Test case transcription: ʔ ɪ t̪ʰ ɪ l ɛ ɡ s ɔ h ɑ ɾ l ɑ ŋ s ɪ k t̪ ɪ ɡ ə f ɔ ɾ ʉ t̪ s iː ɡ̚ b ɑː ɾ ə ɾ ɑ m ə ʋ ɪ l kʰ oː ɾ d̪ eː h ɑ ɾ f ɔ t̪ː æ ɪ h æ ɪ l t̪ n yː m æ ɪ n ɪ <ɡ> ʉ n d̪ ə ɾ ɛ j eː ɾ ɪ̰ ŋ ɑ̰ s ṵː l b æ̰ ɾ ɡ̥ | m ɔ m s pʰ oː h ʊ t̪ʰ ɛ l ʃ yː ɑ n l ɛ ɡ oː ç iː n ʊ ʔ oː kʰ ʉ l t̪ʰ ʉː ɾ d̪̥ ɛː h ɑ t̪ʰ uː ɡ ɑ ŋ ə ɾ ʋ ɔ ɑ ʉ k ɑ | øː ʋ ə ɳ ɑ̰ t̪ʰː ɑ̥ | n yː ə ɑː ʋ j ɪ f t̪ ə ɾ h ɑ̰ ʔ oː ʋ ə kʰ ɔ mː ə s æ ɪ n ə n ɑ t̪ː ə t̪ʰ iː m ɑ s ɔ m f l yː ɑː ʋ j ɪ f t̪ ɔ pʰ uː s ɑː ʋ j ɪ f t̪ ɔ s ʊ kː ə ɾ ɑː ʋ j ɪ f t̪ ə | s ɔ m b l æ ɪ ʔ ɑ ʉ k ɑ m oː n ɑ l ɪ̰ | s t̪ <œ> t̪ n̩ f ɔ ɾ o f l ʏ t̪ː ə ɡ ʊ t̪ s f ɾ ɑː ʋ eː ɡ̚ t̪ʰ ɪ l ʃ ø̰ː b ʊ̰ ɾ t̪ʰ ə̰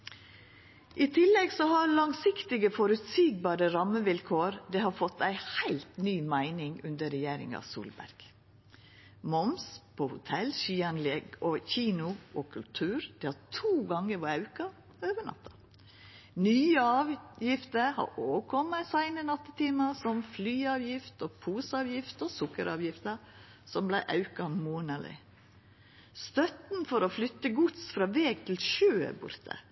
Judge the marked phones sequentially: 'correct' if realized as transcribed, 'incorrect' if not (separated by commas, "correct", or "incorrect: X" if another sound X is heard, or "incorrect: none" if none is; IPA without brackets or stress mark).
incorrect: ŋ, correct